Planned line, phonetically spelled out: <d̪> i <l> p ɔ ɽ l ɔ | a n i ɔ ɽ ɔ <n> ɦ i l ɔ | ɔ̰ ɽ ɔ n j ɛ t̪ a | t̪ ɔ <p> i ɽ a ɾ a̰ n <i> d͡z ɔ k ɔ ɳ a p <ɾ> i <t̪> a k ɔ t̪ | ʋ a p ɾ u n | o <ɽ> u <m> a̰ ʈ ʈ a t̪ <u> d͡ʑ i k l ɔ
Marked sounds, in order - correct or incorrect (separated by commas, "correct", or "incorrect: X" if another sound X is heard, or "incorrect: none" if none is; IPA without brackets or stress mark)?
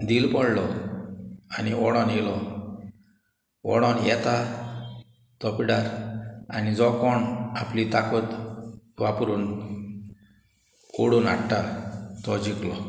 correct, correct, correct, correct, correct, incorrect: l, correct, correct, incorrect: n, incorrect: ɔ